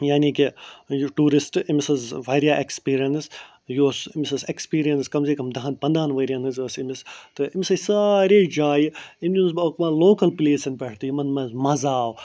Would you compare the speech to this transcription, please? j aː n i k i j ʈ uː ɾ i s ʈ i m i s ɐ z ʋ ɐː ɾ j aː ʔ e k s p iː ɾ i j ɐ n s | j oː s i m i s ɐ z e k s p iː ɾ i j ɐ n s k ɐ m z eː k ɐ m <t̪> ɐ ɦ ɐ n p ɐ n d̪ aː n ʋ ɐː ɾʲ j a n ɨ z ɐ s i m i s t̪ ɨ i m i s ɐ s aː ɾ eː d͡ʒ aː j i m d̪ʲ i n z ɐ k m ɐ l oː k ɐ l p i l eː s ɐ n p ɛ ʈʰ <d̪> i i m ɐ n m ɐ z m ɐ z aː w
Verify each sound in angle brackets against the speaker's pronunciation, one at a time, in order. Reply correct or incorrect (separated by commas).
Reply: incorrect, incorrect